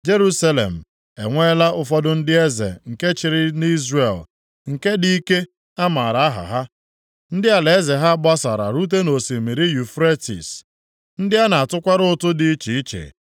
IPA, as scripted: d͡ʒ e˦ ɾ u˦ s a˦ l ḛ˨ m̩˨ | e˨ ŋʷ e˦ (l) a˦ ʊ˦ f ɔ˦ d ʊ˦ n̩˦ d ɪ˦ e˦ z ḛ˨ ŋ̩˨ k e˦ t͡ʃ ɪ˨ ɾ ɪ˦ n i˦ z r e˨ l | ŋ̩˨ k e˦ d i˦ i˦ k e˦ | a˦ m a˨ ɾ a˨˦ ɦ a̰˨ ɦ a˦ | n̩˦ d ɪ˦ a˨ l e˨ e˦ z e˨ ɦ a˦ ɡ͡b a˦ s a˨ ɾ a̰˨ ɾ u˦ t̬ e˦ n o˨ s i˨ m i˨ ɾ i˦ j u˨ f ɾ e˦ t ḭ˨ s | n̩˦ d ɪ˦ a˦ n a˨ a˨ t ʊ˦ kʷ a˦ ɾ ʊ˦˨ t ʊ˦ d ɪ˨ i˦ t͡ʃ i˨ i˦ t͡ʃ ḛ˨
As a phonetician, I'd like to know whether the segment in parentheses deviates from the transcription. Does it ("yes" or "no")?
no